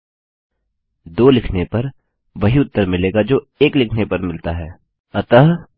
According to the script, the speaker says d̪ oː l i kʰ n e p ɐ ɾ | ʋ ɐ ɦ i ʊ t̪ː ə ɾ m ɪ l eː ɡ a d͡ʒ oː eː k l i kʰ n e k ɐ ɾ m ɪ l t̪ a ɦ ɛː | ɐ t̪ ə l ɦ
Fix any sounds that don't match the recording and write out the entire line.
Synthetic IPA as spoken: d̪ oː l ɪ kʰ n e p ɐ ɾ | ʋ ɐ ɦ i ʊ t̪ː ə ɾ m ɪ l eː ɡ a d͡ʒ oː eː k l ɪ kʰ n e p ɐ ɾ m ɪ l t̪ a ɦ ɛː | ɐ t̪ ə ɦ